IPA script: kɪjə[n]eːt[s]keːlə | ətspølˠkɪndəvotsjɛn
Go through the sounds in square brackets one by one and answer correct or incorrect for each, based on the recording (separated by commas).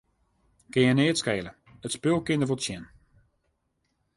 correct, correct